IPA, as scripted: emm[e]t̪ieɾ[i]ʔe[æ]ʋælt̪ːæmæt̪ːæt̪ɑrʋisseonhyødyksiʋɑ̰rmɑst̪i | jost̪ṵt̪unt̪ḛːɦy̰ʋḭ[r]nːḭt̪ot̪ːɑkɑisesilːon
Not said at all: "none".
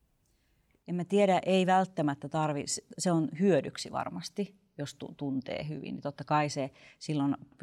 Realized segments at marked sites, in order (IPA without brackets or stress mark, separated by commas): æ, æ, i, none